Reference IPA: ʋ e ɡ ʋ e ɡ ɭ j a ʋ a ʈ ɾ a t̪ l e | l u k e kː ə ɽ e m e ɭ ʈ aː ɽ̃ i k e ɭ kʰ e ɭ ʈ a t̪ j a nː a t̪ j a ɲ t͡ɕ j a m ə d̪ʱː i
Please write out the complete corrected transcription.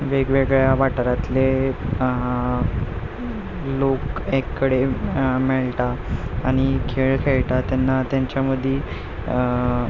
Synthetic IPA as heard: ʋ e ɡ ʋ e ɡ ɭ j a ʋ a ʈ ɾ a t̪ l e | l o k e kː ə ɽ e m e ɭ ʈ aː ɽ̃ i kʰ e ɭ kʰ e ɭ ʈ a t̪ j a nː a t̪ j a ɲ t͡ɕ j a m ə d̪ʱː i